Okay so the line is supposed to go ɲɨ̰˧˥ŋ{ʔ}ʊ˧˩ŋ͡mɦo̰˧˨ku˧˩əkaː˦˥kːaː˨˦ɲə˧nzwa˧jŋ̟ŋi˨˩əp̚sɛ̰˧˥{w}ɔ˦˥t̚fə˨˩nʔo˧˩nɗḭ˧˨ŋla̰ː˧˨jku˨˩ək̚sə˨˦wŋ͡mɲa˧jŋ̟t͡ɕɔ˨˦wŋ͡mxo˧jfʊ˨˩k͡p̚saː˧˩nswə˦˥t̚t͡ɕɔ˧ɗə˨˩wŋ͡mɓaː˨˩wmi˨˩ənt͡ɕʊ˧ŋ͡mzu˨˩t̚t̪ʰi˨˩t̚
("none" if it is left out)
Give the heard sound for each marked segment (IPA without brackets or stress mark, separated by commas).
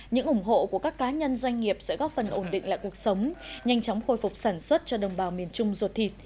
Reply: ʔ, ɣ